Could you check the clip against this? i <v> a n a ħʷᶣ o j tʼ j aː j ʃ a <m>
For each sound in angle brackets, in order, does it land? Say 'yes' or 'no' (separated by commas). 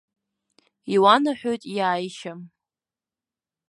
no, yes